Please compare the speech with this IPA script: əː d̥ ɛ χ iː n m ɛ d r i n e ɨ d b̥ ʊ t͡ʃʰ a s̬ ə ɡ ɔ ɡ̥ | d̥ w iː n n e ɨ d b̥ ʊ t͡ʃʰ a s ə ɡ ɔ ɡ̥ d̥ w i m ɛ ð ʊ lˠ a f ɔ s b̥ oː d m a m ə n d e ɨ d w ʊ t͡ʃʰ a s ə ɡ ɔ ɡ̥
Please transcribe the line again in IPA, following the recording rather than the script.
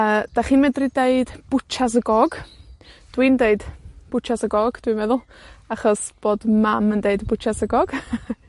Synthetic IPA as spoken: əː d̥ a χ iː n m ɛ d r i d e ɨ d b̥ ʊ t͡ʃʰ a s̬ ə ɡ ɔ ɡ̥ | d̥ w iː n d e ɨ d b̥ ʊ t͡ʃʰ a s ə ɡ ɔ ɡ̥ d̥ w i m ɛ ð ʊ lˠ a χ ɔ s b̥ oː d m a m ə n d e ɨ d b ʊ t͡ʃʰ a s ə ɡ ɔ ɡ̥

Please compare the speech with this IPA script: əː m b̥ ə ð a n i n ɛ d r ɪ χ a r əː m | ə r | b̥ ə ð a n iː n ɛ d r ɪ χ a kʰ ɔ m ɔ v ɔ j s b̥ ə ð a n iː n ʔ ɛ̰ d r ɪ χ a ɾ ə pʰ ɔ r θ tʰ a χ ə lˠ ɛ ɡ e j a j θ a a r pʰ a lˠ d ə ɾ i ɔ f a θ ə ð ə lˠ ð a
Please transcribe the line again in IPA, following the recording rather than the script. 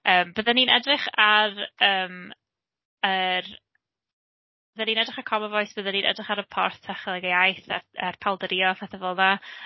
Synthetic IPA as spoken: əː m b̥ ə ð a n i n ɛ d r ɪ χ a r əː m | ə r | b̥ ə ð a n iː n ɛ d r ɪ χ a kʰ ɔ m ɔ v ɔ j s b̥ ə ð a n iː n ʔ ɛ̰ d r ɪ χ a ɾ ə pʰ ɔ r θ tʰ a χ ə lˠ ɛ ɡ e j a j θ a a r pʰ a lˠ d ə ɾ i ɔ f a θ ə v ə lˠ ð a

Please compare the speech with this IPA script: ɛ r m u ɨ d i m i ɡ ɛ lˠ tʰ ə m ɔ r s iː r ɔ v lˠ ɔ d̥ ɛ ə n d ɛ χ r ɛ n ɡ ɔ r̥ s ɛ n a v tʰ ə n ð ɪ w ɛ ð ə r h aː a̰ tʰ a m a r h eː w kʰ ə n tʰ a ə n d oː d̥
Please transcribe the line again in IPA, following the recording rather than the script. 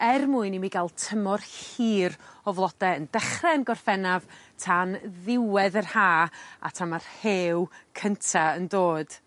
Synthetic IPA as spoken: ɛ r m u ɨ n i m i ɡ a lˠ tʰ ə m ɔ r h iː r ɔ v lˠ ɔ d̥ ɛ ə n d ɛ χ r ɛ n ɡ ɔ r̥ f ɛ n a v tʰ a n ð ɪ w ɛ ð ə r h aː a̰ tʰ a m a r h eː w kʰ ə n tʰ a ə n d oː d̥

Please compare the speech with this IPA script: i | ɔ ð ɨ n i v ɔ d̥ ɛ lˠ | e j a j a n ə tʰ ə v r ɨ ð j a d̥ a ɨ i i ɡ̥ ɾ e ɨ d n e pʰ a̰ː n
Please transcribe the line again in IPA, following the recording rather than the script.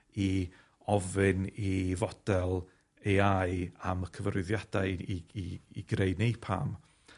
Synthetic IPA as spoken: i | ɔ v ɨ n i v ɔ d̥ ɛ lˠ | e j a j a m ə kʰ ə v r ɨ ð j a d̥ a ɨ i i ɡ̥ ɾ e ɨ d n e pʰ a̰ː m

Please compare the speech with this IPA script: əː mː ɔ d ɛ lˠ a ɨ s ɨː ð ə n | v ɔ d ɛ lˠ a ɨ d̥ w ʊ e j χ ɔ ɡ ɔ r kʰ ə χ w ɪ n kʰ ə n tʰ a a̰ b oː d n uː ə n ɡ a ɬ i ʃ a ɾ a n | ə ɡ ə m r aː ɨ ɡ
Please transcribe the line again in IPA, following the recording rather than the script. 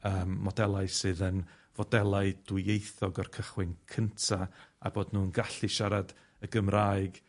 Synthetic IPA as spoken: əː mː ɔ d ɛ lˠ a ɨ s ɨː ð ə n | v ɔ d ɛ lˠ a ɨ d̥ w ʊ e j θ ɔ ɡ ɔ r kʰ ə χ w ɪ n kʰ ə n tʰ a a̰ b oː d n uː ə n ɡ a ɬ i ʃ a ɾ a d | ə ɡ ə m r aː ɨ ɡ

